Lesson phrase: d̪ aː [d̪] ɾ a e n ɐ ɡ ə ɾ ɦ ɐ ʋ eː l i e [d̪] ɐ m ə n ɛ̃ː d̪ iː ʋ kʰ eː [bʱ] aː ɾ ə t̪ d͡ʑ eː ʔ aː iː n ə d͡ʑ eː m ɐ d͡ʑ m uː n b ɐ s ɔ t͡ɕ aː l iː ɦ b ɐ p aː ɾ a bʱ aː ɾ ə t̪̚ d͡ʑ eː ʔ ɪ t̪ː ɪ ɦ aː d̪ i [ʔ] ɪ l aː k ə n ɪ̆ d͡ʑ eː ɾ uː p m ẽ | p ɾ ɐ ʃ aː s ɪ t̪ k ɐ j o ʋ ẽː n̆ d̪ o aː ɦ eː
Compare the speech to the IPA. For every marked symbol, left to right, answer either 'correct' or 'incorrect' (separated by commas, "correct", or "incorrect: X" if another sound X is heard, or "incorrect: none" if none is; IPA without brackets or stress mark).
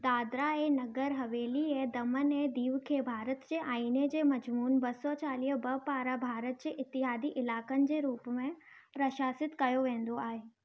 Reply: correct, correct, correct, correct